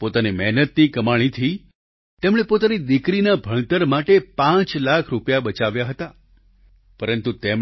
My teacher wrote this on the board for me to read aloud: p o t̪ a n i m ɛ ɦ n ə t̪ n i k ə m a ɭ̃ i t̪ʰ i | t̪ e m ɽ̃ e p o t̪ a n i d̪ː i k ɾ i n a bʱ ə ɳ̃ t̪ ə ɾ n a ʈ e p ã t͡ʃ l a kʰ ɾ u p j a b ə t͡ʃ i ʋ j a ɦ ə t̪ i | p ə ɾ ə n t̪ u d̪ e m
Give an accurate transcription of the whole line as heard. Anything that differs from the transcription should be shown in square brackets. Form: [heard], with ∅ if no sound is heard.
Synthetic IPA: p o t̪ a n i m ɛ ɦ n ə t̪ n i k ə m a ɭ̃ i t̪ʰ i | t̪ e m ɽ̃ e p o t̪ a n i [d̪] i k ɾ i n a bʱ ə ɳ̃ t̪ ə ɾ [m] a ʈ e p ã t͡ʃ l a kʰ ɾ u p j a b ə t͡ʃ [a] ʋ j a ɦ ə t̪ [a] | p ə ɾ ə n t̪ u [t̪] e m